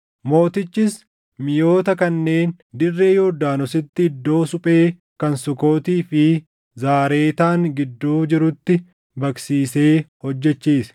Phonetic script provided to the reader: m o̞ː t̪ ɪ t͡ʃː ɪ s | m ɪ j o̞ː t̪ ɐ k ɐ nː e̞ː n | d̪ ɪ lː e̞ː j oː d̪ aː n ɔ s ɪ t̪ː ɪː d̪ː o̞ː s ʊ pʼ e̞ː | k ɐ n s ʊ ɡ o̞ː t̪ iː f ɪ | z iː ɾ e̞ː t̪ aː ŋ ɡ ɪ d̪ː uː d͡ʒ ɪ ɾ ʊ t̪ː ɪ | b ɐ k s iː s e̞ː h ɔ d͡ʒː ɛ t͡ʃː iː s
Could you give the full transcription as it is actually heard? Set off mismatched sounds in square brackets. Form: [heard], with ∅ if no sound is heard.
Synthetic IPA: m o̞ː t̪ ɪ t͡ʃː ɪ s | m ɪ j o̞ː t̪ ɐ k ɐ nː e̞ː n | d̪ ɪ [rː] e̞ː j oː d̪ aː n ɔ s ɪ t̪ː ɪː d̪ː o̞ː s ʊ pʼ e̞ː | k ɐ n s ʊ [k] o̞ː t̪ iː f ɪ | z [aː] ɾ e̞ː t̪ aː ŋ ɡ ɪ d̪ː uː d͡ʒ ɪ ɾ ʊ t̪ː ɪ | b ɐ k s iː s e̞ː h ɔ d͡ʒː ɛ t͡ʃː iː s

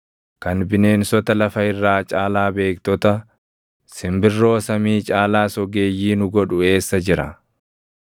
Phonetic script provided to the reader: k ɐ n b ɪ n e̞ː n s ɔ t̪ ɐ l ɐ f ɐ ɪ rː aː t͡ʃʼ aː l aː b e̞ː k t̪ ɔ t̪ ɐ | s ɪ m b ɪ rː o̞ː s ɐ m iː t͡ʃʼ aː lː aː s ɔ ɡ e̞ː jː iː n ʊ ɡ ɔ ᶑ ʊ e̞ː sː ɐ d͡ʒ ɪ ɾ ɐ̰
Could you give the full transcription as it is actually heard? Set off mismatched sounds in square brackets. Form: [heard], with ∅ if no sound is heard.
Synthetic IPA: k ɐ n b ɪ n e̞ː n s ɔ t̪ ɐ l ɐ f ɐ ɪ rː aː t͡ʃʼ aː l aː b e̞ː k t̪ ɔ t̪ ɐ | s ɪ m b ɪ rː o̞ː s ɐ m iː t͡ʃʼ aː [l] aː s ɔ ɡ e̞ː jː iː n ʊ ɡ ɔ ᶑ ʊ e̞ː sː ɐ d͡ʒ ɪ ɾ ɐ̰

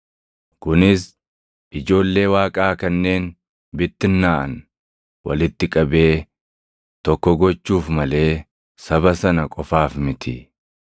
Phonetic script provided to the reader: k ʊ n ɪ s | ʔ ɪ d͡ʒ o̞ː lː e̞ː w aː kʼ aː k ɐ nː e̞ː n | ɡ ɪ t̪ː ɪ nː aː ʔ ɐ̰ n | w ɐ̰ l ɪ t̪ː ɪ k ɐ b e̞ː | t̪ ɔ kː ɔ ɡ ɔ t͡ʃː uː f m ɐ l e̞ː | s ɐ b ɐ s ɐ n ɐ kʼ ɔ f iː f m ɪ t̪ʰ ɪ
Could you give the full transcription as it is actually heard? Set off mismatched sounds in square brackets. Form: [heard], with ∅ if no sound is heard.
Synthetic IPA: k ʊ n ɪ s | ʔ ɪ d͡ʒ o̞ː lː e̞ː w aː kʼ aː k ɐ nː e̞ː n | [b] ɪ t̪ː ɪ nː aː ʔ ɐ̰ n | w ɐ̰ l ɪ t̪ː ɪ [kʼ] ɐ b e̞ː | t̪ ɔ kː ɔ ɡ ɔ t͡ʃː uː f m ɐ l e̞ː | s ɐ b ɐ s ɐ n ɐ kʼ ɔ f [aː] f m ɪ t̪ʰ ɪ

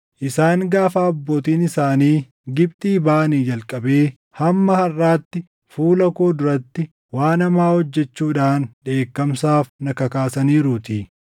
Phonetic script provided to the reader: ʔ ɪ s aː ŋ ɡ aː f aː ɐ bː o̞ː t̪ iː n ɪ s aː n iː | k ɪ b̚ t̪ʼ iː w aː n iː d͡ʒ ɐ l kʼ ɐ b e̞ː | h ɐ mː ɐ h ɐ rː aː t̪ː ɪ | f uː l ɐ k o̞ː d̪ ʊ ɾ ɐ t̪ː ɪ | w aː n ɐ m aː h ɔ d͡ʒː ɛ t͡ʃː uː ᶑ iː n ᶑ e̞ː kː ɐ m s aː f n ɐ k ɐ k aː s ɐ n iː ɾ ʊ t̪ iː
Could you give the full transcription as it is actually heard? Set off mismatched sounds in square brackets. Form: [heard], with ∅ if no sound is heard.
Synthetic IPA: ʔ ɪ s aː ŋ ɡ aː f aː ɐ bː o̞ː t̪ iː n ɪ s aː n iː | [ɡ] ɪ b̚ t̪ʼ iː [b] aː n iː d͡ʒ ɐ l kʼ ɐ b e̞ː | h ɐ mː ɐ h ɐ rː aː t̪ː ɪ | f uː l ɐ k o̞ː d̪ ʊ ɾ ɐ t̪ː ɪ | w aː n ɐ m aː h ɔ d͡ʒː ɛ t͡ʃː uː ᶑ [aː] n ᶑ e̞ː kː ɐ m s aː f n ɐ k ɐ k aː s ɐ n iː ɾ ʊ t̪ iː

